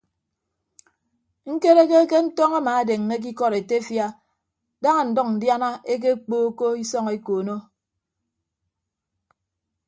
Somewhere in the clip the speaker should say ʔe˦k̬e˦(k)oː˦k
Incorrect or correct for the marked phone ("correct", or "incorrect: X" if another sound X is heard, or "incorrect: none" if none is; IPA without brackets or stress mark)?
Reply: incorrect: k͡p